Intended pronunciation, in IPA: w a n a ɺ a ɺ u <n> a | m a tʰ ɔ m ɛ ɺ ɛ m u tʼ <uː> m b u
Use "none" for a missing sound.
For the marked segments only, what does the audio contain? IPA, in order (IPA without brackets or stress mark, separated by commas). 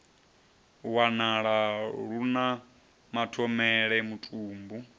n, uː